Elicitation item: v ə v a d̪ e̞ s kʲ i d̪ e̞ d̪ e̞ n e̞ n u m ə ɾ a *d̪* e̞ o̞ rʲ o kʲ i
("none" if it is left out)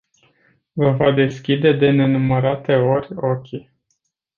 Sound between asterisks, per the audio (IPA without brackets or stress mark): t̪